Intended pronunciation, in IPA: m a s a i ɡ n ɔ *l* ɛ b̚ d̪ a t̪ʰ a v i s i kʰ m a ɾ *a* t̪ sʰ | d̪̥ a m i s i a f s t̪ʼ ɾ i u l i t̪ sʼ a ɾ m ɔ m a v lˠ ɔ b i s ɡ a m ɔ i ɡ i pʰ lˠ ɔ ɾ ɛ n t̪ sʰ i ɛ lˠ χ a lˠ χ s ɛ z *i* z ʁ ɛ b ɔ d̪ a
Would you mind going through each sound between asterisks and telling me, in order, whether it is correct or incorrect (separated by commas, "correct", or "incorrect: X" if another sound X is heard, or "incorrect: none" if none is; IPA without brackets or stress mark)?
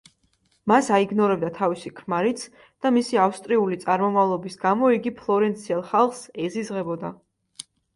incorrect: ɾ, incorrect: i, correct